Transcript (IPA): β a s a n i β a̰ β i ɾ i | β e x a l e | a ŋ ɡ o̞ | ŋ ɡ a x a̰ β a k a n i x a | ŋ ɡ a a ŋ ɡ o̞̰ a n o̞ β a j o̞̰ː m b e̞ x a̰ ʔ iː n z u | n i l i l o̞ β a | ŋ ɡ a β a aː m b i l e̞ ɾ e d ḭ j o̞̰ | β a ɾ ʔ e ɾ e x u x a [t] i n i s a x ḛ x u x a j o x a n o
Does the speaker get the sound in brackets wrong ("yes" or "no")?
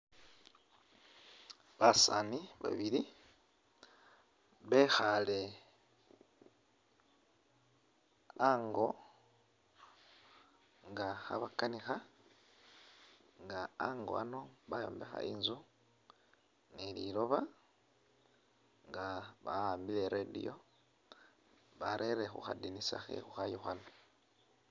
yes